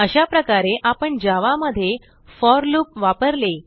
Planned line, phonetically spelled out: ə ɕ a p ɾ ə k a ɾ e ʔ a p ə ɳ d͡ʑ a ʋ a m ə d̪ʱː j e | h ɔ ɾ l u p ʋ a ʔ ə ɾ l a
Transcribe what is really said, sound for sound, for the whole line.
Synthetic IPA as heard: ə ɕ a p ɾ ə k a ɾ e ʔ a p ə ɳ d͡ʑ a ʋ a m ə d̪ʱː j e | f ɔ ɾ l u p ʋ a p ə ɾ l e